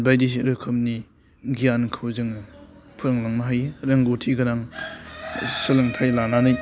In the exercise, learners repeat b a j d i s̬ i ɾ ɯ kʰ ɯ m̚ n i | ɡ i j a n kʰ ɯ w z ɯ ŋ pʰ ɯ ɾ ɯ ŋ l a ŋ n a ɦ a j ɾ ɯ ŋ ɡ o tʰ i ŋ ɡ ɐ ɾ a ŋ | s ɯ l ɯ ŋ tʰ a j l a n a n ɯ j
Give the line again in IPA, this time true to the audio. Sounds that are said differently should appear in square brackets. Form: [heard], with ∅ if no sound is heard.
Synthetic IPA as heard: b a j d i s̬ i ɾ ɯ kʰ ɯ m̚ n i | ɡ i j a n kʰ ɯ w z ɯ ŋ pʰ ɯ ɾ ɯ ŋ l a ŋ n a ɦ a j ɾ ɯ ŋ ɡ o tʰ i [∅] ɡ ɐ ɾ a ŋ | s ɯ l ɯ ŋ tʰ a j l a n a n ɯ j